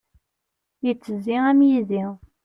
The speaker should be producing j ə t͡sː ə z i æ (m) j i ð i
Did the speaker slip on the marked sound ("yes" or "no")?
no